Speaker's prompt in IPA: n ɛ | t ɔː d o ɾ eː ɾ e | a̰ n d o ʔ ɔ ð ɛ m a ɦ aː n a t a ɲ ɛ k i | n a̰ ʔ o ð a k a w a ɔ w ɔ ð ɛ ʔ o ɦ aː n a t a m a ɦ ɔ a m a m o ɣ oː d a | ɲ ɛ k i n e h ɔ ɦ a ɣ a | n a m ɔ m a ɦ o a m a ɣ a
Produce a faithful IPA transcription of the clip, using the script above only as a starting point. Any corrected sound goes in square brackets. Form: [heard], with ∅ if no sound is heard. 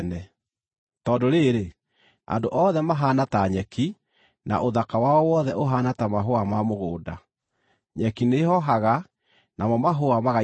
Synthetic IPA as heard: n ɛ | t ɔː d o ɾ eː ɾ e | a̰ n d o ʔ ɔ ð ɛ m a ɦ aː n a t a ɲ ɛ k i | n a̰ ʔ o ð a k a w a ɔ w ɔ ð ɛ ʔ o ɦ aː n a t a m a ɦ [o] a m a m o ɣ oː d a | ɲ ɛ k i n e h ɔ ɦ a ɣ a | n a m ɔ m a ɦ o a m a ɣ a